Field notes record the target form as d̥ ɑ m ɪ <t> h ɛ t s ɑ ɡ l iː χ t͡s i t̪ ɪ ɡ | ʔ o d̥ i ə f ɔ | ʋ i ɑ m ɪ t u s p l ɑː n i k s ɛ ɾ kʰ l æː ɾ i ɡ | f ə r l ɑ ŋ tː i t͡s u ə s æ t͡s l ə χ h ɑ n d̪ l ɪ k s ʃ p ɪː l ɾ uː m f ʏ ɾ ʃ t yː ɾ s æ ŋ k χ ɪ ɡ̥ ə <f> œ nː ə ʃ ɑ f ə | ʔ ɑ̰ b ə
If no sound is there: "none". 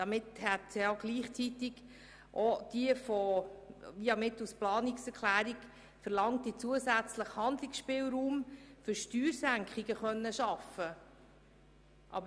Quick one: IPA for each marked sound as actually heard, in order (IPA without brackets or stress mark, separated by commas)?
t, χ